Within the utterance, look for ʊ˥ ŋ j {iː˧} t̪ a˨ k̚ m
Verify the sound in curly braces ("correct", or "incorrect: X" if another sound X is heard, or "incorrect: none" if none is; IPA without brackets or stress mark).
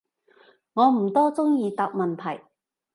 correct